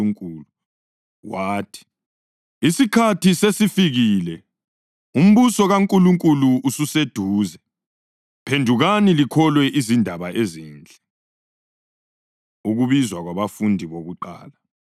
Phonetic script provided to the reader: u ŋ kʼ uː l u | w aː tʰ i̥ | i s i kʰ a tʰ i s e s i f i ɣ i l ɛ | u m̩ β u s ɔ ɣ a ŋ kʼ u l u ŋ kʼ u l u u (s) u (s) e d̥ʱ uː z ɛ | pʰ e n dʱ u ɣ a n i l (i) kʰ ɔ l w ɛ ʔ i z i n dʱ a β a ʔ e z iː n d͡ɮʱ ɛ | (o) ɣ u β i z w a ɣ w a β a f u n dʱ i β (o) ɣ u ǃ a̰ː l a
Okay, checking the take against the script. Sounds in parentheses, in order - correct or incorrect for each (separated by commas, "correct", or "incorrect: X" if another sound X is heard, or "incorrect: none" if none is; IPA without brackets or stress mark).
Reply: correct, correct, correct, incorrect: u, correct